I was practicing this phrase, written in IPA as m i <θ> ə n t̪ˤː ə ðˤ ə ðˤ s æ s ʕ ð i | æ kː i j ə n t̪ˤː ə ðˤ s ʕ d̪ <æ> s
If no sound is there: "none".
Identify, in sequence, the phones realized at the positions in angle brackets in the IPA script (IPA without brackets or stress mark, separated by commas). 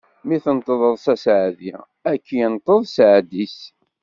θ, i